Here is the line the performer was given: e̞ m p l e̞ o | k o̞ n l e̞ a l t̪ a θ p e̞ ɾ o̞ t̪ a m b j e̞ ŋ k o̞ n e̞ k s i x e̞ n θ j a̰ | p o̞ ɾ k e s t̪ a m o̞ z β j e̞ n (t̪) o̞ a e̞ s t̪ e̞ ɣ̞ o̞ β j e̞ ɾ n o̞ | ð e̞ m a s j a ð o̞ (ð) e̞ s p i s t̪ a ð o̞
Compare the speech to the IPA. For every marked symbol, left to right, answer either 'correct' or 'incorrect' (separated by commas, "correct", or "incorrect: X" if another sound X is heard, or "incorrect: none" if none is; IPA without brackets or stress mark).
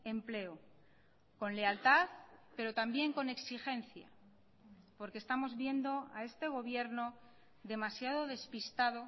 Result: incorrect: d̪, correct